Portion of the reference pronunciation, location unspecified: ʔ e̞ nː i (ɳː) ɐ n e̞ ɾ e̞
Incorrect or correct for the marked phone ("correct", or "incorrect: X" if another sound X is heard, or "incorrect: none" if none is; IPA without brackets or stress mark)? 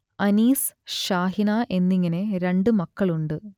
incorrect: ŋː